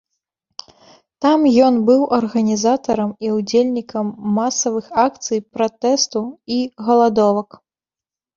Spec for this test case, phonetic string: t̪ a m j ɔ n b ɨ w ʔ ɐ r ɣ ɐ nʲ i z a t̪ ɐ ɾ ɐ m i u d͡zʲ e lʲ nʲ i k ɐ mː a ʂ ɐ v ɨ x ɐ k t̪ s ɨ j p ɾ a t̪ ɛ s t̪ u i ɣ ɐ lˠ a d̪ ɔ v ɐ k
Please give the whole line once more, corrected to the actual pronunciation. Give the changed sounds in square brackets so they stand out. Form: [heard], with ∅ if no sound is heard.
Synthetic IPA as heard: t̪ a m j ɔ n b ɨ w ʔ ɐ r ɣ ɐ nʲ i z a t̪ ɐ ɾ ɐ m i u d͡zʲ e lʲ nʲ i k ɐ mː a [s] ɐ v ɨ x [a] k t̪ s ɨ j p ɾ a t̪ ɛ s t̪ u i ɣ ɐ lˠ a d̪ ɔ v ɐ k